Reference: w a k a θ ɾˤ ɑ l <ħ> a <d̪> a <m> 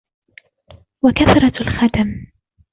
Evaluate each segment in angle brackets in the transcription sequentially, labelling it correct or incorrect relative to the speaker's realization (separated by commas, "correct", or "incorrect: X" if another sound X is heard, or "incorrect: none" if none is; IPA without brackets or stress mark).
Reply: incorrect: x, correct, correct